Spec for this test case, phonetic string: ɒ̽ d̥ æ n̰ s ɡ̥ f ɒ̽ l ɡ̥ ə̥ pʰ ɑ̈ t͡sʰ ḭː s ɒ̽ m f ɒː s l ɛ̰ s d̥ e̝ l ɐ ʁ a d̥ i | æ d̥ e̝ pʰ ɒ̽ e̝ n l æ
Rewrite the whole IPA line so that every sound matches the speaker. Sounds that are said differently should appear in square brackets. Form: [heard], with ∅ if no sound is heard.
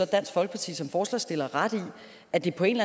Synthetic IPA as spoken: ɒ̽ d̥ æ n̰ s ɡ̥ f ɒ̽ l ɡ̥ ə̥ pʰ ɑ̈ t͡sʰ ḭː s ɒ̽ m f ɒː s l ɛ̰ s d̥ e̝ l ɐ ʁ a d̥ i | æ d̥ e̝ pʰ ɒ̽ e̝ n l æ